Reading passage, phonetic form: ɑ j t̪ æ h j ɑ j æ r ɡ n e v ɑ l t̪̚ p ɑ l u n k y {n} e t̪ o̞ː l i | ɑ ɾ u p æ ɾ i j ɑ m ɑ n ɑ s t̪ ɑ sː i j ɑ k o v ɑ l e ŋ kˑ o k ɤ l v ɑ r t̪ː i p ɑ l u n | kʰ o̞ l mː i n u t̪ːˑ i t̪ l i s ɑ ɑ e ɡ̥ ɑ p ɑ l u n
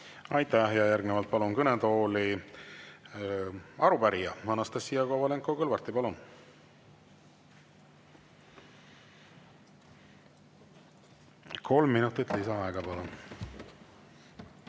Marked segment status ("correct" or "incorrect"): correct